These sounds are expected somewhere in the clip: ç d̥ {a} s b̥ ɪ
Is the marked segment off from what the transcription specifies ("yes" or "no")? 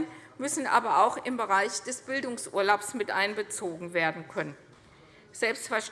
yes